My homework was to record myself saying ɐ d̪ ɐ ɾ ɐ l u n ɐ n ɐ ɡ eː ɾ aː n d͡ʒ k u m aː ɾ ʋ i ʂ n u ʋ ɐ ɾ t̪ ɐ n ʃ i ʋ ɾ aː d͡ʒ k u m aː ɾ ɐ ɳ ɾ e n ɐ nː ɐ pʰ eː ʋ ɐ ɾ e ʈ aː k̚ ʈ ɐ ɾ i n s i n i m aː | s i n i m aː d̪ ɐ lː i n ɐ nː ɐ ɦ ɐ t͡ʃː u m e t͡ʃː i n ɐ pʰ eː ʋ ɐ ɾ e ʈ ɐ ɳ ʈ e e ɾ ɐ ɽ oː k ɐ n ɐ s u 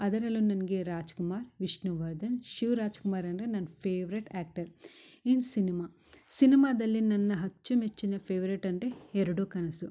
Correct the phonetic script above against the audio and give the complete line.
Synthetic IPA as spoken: ɐ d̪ ɐ ɾ ɐ l u n ɐ n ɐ ɡ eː ɾ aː d͡ʒ k u m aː ɾ ʋ i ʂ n u ʋ ɐ ɾ d̪ ɐ n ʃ i ʋ ɾ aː d͡ʒ k u m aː ɾ ɐ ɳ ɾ e n ɐ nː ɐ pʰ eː ʋ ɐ ɾ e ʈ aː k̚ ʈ ɐ ɾ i n s i n i m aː | s i n i m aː d̪ ɐ lː i n ɐ nː ɐ ɦ ɐ t͡ʃː u m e t͡ʃː i n ɐ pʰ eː ʋ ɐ ɾ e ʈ ɐ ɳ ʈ e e ɾ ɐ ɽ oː k ɐ n ɐ s u